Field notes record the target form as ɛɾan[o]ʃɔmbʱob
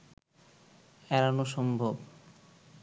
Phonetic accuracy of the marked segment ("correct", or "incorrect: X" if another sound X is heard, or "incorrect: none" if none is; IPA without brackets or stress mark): correct